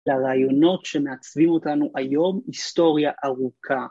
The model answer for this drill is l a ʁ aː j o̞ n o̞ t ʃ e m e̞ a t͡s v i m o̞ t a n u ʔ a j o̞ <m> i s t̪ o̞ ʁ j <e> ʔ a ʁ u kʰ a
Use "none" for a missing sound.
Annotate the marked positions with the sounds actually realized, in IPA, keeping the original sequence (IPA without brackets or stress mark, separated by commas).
m, a